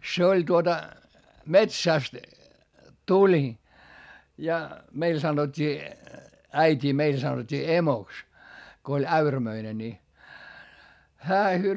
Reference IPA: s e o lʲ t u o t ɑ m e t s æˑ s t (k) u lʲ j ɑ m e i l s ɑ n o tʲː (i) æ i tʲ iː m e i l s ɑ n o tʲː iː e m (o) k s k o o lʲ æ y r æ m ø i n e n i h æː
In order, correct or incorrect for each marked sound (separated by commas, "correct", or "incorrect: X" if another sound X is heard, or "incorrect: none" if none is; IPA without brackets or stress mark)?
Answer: incorrect: t, incorrect: iː, correct